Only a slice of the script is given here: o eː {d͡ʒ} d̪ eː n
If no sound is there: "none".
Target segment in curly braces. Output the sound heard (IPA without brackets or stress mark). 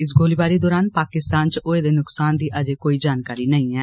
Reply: none